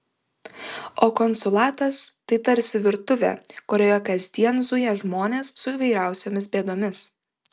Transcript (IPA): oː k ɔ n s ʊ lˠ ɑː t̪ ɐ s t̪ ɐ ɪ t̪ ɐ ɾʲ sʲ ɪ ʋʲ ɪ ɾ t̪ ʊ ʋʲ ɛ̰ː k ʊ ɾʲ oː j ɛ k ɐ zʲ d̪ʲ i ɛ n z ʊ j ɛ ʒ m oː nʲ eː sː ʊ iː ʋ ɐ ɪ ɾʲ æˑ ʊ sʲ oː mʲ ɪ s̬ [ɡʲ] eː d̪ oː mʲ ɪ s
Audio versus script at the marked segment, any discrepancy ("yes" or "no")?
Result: yes